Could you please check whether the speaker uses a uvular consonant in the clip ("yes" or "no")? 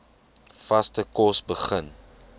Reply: yes